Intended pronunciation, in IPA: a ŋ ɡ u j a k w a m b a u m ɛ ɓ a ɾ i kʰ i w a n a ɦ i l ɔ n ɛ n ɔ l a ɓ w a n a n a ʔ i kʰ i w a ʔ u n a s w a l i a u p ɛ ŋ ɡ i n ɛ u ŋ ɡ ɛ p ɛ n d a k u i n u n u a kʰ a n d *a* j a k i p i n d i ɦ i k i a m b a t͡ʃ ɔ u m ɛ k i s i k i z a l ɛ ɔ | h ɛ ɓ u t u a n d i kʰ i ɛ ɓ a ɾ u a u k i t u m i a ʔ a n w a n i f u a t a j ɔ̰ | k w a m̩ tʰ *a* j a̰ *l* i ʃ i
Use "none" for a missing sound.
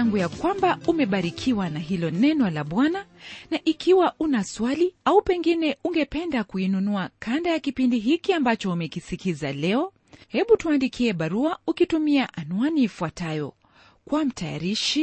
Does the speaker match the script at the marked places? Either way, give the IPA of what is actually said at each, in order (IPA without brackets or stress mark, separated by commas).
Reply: a, a, ɾ